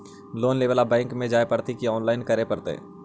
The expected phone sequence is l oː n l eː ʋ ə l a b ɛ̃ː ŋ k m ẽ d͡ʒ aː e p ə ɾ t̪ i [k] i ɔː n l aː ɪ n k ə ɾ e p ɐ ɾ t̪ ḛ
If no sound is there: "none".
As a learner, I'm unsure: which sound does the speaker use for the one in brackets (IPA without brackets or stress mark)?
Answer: k